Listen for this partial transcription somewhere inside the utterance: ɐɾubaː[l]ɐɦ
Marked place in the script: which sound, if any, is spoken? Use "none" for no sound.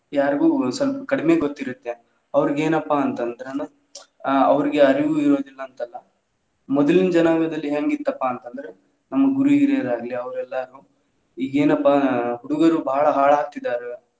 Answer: ɭ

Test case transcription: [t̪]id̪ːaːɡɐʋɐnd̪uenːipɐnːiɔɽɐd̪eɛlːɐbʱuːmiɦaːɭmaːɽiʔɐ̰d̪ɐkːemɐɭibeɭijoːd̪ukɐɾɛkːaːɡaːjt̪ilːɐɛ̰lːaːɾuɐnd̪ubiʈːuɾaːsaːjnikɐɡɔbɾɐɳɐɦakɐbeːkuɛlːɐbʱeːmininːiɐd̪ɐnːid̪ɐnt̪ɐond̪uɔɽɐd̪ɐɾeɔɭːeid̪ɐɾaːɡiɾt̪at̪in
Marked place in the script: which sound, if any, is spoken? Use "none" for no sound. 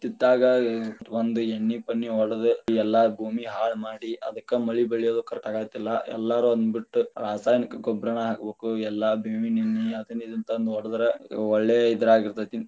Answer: t̪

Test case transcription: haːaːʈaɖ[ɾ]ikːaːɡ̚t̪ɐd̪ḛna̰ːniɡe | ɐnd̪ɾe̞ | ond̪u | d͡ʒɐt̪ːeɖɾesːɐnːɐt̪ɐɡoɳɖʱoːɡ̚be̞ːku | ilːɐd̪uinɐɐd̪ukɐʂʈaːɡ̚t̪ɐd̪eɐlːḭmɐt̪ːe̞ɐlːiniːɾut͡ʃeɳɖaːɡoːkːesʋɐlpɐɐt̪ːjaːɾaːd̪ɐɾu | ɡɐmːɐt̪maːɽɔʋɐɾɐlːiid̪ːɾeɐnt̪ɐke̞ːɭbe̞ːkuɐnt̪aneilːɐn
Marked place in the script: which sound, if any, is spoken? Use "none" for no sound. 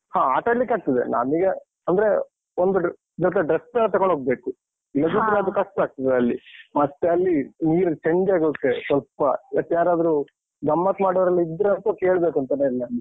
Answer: l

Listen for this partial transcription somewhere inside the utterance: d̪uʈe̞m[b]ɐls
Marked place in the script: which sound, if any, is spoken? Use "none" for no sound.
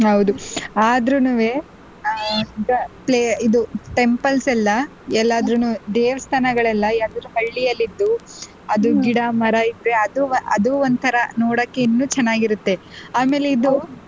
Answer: p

